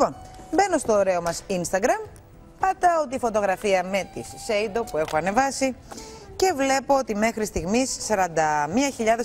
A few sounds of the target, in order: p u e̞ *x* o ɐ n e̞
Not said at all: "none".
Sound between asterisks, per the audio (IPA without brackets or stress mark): x